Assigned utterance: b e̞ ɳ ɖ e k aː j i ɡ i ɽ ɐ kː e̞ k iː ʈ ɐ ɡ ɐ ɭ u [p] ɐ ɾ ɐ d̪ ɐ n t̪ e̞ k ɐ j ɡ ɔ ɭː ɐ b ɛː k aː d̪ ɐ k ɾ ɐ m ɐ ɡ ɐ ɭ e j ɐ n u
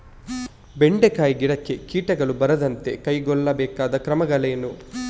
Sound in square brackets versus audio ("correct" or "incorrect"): incorrect